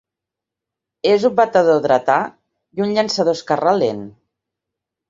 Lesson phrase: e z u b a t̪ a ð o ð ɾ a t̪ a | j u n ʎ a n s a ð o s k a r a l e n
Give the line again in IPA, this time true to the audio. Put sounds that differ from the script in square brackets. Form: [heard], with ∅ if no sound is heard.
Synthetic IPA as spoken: e z u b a t̪ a ð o ð ɾ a t̪ a | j u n ʎ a n s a ð o s k a r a l e n